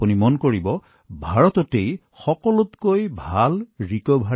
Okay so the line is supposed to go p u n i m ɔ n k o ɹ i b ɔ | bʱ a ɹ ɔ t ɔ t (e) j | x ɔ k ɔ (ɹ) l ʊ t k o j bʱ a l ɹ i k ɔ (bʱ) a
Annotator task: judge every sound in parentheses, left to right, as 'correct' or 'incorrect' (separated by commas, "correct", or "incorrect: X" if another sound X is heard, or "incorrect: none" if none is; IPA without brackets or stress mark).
correct, incorrect: none, correct